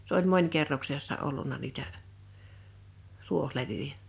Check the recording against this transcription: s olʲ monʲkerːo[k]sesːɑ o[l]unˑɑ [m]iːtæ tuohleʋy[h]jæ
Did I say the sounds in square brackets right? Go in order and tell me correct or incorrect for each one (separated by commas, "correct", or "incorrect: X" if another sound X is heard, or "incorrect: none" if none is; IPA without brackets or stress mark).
correct, incorrect: lː, incorrect: n, incorrect: none